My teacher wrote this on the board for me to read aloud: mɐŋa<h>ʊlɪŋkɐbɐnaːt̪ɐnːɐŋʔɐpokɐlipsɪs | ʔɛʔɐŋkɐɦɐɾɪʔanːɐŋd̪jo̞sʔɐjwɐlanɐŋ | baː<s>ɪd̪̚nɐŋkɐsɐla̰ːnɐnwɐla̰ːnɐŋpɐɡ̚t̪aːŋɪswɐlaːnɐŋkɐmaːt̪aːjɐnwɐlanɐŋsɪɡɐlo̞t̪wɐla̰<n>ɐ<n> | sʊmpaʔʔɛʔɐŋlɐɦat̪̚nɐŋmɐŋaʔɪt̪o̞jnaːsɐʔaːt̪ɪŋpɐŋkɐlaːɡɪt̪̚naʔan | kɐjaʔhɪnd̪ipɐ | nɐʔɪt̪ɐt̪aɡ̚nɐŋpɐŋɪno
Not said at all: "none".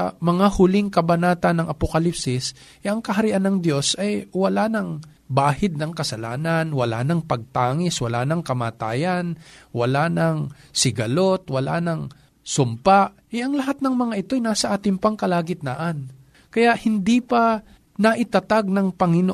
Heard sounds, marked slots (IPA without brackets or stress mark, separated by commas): h, h, n, ŋ